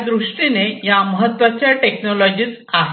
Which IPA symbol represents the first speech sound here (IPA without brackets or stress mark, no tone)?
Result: d̪